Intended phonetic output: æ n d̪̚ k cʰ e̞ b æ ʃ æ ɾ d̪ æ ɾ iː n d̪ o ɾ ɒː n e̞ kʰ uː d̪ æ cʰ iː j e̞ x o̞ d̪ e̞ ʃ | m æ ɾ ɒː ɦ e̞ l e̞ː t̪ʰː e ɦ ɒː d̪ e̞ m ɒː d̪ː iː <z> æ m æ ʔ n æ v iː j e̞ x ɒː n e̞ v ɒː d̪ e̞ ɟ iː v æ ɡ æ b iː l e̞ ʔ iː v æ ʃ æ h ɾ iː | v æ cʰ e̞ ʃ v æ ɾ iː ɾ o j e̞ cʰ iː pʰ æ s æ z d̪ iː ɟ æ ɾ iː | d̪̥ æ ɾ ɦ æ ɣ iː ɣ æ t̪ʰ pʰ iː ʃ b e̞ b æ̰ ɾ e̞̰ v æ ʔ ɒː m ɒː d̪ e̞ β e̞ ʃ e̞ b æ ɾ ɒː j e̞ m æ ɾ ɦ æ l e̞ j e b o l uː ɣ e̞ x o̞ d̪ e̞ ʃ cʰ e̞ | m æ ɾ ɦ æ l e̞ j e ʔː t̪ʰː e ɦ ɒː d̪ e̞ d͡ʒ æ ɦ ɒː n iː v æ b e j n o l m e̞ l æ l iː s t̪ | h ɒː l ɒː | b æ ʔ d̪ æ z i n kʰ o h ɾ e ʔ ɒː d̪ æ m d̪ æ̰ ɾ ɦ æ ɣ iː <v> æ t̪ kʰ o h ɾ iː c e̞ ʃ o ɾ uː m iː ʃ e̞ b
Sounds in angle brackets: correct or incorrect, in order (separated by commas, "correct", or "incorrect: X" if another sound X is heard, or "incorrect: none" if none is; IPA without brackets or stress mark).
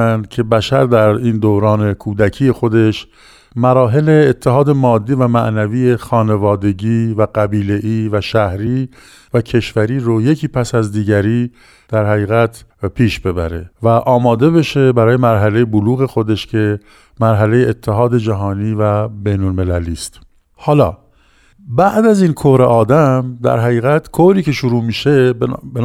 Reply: incorrect: v, incorrect: ɣ